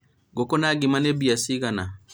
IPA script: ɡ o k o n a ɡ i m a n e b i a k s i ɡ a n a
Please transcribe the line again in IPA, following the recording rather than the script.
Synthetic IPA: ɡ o k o n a ɡ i m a n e b i a s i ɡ a n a